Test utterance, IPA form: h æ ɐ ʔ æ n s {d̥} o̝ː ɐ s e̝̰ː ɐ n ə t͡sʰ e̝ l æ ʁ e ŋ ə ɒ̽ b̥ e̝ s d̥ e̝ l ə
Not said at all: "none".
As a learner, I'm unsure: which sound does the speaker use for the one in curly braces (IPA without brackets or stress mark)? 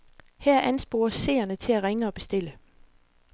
b̥